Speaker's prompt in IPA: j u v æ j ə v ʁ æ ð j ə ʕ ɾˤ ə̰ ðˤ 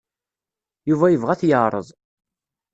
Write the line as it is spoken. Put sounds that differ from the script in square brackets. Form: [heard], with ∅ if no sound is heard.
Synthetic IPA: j u v æ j ə v ʁ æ [θ] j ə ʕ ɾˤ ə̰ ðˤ